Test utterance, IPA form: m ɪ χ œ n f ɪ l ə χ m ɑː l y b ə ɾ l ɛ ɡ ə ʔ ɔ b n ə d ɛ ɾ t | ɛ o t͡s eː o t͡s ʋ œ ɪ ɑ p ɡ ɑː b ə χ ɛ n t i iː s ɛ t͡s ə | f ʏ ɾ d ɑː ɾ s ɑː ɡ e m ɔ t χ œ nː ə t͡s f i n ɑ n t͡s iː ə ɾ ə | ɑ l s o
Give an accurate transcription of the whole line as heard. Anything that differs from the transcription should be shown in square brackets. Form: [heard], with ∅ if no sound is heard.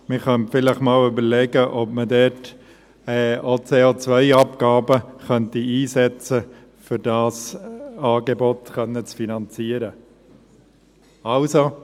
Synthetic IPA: m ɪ χ œ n f ɪ l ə χ m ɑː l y b ə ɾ l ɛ ɡ ə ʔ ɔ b [m] ə d ɛ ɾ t | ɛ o t͡s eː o t͡s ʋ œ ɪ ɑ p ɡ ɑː b ə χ [œ] n t i iː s ɛ t͡s ə | f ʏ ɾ d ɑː [∅] s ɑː ɡ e [b] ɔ t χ œ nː ə t͡s f i n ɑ n t͡s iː ə ɾ ə | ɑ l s o

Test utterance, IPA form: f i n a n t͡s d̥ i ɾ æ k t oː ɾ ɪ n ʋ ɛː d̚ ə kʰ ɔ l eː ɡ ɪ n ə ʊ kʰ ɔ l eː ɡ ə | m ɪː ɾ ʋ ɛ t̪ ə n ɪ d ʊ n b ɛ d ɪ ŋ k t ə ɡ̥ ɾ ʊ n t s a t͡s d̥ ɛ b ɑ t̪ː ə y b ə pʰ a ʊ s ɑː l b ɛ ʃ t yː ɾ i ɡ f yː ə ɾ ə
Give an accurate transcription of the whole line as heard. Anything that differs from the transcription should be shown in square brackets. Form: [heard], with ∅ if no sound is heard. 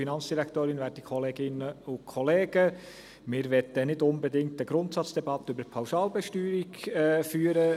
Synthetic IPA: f i n [ɑ] n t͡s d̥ i ɾ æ k t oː ɾ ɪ n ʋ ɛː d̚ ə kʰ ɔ l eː ɡ ɪ n ə ʊ kʰ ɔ l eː ɡ ə | m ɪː ɾ ʋ ɛ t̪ ə n ɪ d ʊ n b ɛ d ɪ ŋ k t ə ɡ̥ ɾ ʊ n t s [ɑ] t͡s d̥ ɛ b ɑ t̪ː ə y b ə pʰ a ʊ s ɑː l b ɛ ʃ t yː ɾ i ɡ f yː ə ɾ ə

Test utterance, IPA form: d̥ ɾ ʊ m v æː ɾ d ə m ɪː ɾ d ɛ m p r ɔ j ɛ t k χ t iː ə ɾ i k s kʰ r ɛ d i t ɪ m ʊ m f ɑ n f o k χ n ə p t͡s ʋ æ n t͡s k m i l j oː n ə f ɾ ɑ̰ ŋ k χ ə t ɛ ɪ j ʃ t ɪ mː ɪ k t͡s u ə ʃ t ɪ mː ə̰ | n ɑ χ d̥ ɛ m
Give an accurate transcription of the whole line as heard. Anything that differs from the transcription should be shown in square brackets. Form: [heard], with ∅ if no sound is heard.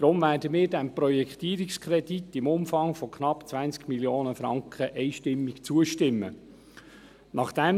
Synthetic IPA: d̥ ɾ ʊ m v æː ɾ d ə m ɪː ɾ d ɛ m p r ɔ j ɛ [∅] k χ t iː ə ɾ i k s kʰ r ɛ d i t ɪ m ʊ m f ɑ [ŋ] f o k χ n [ɑ] p t͡s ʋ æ n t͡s k m i l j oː n ə f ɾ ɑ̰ ŋ k χ ə [ʔ] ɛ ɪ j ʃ t ɪ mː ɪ k t͡s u ə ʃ t ɪ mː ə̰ | n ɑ χ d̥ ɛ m

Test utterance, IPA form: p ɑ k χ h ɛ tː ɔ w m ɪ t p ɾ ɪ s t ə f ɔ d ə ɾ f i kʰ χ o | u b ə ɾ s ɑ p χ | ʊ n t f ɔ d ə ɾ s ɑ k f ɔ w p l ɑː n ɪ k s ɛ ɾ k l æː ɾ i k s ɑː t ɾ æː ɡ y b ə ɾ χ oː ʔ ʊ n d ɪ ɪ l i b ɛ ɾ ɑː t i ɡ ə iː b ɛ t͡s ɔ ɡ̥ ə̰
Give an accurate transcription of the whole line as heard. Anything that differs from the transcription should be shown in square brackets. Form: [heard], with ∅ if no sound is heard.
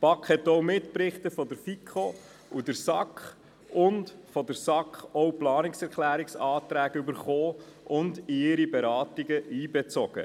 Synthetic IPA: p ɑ k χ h ɛ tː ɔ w m ɪ t p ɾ ɪ [χ] t ə f ɔ d ə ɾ f i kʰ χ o | u [d] ə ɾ s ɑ [k] χ | ʊ n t f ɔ d ə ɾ s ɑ k [χ] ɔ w p l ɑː n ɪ k s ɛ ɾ k l æː ɾ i k s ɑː t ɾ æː ɡ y b ə ɾ χ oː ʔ ʊ n d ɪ ɪ [ɾ] i b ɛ ɾ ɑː t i ɡ ə iː b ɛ t͡s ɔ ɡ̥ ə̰

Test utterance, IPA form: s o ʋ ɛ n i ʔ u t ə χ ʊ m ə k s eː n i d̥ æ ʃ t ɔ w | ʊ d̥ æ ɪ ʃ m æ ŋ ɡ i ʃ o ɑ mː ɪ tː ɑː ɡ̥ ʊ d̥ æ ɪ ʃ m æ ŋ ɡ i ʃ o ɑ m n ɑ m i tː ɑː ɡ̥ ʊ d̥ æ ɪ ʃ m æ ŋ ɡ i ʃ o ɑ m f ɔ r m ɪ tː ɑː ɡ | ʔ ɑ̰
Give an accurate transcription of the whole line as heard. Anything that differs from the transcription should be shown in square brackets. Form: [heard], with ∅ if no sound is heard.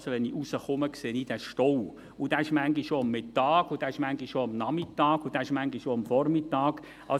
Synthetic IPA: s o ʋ ɛ n i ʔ u [s] ə χ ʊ m ə k s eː n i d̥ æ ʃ t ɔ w | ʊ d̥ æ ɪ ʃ m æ ŋ ɡ i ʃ o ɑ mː ɪ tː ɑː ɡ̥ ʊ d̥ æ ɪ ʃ m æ ŋ ɡ i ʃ o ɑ m n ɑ m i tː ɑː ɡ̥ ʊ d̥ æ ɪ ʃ m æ ŋ ɡ i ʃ o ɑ m f ɔ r m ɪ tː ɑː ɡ | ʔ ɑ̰

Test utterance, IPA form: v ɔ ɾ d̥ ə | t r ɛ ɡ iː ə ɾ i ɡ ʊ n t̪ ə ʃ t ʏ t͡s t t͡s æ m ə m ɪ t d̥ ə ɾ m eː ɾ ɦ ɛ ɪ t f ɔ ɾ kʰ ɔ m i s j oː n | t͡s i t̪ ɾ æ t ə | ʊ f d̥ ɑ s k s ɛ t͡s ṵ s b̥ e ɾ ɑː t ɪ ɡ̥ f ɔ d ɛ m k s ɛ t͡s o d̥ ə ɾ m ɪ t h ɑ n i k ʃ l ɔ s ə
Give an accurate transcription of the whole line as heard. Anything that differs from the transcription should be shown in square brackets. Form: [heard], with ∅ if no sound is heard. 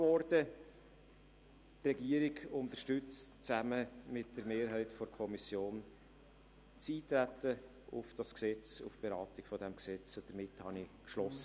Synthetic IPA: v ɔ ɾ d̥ ə | t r ɛ ɡ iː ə ɾ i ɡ ʊ n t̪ ə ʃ t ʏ t͡s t t͡s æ m ə m ɪ t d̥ ə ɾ m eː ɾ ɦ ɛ ɪ t f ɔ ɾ kʰ ɔ m i s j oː n | t͡s [iː] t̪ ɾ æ t ə | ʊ f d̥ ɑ s k s ɛ t͡s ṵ [f] b̥ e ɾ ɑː t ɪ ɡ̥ f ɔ d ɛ m k s ɛ t͡s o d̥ ə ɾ m ɪ t h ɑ n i k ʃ l ɔ s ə

